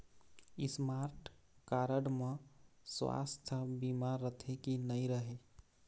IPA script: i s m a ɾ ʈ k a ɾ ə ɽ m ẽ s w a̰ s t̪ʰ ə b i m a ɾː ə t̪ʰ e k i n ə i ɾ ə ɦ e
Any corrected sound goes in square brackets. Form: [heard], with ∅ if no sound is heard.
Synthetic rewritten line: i s m a ɾ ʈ k a ɾ ə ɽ m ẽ s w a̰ s t̪ʰ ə b i m a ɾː ə t̪ʰ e k i n ə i ɾ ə ɦ e